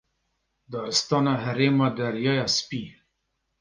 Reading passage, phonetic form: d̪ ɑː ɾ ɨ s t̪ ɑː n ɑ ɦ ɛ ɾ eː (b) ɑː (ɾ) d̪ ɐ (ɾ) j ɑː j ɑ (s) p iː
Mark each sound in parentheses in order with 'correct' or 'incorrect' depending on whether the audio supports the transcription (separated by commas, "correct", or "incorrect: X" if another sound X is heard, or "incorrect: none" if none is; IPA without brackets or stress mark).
incorrect: m, incorrect: none, correct, correct